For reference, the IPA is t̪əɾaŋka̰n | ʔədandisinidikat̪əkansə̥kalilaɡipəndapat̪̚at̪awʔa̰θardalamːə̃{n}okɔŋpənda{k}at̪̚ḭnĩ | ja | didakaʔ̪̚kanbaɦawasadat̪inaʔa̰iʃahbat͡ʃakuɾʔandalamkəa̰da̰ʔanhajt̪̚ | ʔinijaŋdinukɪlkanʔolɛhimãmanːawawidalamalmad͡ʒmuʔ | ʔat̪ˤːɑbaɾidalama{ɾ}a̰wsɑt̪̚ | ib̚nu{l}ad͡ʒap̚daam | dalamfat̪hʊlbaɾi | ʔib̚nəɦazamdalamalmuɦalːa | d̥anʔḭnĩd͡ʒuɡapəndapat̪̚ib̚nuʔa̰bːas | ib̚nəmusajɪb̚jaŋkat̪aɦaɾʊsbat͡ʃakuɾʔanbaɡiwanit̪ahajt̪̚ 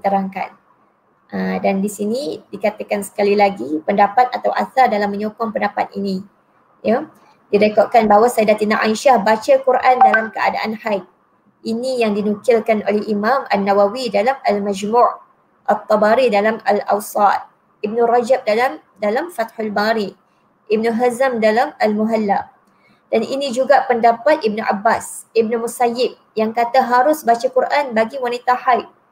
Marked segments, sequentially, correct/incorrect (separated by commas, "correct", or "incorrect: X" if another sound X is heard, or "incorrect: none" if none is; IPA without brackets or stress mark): incorrect: ɲ, incorrect: p, incorrect: l, incorrect: r